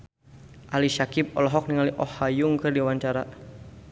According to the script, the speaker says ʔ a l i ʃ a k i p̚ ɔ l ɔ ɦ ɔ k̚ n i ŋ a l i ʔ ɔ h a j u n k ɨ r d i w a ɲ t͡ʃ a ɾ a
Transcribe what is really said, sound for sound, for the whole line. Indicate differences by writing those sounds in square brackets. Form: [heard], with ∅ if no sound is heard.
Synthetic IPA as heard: ʔ a l i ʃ a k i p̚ ɔ l ɔ ɦ ɔ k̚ n i ŋ a l i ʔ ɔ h a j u [ŋ] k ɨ r d i w a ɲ t͡ʃ a ɾ a